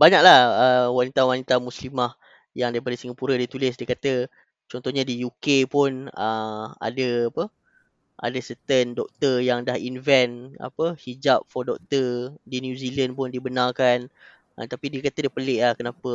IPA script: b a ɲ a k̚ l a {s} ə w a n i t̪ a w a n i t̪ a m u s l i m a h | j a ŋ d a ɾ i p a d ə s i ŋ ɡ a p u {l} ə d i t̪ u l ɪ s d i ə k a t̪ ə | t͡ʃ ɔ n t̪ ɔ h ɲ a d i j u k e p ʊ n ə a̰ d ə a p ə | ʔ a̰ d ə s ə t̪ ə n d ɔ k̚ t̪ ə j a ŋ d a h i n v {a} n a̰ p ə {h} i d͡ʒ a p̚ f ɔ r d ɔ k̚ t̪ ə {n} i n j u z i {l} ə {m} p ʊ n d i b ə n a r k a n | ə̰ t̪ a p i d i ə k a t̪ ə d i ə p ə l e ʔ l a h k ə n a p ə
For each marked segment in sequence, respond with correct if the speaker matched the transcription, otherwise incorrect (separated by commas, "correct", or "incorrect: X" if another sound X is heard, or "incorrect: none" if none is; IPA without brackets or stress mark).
incorrect: h, incorrect: ɾ, incorrect: ɛ, correct, incorrect: d, correct, incorrect: n